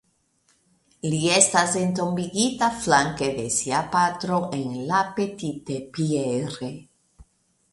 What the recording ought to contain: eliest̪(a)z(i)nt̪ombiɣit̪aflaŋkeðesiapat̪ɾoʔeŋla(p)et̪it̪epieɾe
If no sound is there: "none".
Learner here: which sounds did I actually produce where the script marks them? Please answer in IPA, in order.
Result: a, e, p

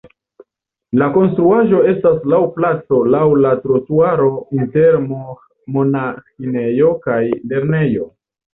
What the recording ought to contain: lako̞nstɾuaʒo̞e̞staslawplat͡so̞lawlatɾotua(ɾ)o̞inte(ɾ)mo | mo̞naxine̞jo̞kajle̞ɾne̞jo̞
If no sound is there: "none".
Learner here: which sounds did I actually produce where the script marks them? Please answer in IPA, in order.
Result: ɾ, ɾ

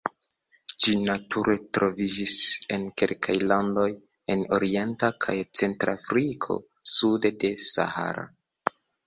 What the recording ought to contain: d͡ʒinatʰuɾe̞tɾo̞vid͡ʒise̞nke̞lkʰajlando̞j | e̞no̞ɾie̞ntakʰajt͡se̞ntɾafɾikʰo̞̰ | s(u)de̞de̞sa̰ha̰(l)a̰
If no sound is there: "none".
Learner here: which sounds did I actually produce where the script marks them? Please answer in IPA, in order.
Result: u, ɾ

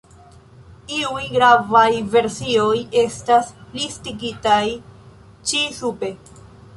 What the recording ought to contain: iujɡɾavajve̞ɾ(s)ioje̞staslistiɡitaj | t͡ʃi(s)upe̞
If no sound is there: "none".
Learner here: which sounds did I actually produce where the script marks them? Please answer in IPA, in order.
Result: s, s

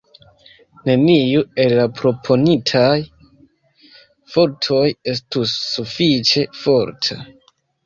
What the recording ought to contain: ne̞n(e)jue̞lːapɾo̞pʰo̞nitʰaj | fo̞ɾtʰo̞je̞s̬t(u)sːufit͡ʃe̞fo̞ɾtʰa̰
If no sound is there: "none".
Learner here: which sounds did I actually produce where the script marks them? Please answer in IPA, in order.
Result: i, u

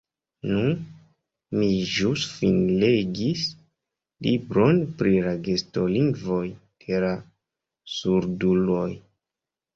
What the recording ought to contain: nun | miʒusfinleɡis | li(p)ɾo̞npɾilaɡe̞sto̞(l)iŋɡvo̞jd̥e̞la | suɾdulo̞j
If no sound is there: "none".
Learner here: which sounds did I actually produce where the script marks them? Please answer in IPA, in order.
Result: b, l

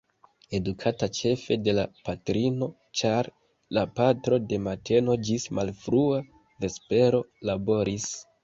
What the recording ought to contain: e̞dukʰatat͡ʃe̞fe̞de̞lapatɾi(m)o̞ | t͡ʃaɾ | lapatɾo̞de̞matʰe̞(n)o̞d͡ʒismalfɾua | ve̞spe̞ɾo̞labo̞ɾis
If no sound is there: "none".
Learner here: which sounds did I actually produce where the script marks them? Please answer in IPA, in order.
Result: n, n

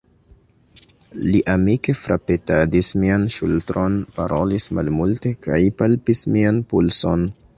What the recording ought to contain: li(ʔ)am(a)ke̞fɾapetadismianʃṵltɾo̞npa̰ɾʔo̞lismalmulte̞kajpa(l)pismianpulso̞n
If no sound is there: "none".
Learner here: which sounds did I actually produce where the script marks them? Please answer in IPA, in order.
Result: ʔ, i, l

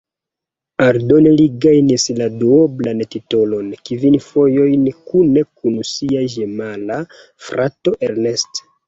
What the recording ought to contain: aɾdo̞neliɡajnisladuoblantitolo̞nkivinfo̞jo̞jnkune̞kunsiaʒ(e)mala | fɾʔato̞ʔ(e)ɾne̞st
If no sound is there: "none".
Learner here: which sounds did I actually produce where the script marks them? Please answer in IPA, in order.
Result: e, e

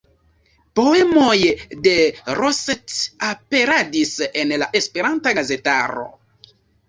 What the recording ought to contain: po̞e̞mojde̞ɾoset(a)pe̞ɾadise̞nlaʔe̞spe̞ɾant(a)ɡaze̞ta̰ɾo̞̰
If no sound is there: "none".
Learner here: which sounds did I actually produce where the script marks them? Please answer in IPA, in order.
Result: a, a

